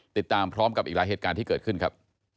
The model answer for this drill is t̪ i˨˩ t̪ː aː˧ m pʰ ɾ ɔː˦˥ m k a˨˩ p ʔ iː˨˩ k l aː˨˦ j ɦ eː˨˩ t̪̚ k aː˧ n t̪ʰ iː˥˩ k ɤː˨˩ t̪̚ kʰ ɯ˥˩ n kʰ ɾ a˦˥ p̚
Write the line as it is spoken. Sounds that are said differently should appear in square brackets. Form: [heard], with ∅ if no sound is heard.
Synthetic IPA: t̪ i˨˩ t̪ː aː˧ m pʰ ɾ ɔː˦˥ m k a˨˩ p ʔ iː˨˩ k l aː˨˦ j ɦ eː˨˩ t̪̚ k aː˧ n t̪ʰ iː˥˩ k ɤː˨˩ t̪̚ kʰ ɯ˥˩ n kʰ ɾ a˦˥ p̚